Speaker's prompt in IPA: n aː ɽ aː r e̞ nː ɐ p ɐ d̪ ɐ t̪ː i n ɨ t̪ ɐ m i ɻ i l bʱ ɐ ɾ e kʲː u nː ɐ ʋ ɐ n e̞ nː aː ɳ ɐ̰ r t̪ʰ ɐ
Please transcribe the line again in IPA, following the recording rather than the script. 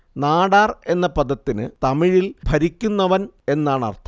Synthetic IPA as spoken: n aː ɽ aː r e̞ nː ɐ p ɐ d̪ ɐ t̪ː i n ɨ t̪ ɐ m i ɻ i l bʱ ɐ ɾ i kʲː u nː ɐ ʋ ɐ n e̞ nː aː ɳ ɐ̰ r t̪ʰ ɐ